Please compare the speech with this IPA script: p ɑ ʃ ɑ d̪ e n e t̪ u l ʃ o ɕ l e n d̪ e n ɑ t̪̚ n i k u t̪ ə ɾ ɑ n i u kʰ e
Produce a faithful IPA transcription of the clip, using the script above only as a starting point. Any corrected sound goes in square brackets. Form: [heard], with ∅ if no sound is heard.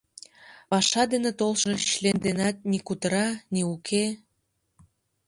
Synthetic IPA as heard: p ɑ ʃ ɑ d̪ e n e t̪ [o] l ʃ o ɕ l e n d̪ e n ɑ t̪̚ n i k u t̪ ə ɾ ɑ n i u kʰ e